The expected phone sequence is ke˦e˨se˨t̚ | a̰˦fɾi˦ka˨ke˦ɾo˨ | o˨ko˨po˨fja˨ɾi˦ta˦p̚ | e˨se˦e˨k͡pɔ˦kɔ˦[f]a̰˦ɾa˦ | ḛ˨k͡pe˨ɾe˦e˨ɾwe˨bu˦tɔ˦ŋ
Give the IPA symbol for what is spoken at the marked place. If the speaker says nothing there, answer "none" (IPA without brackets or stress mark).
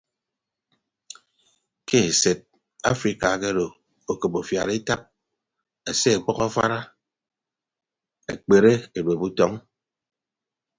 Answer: f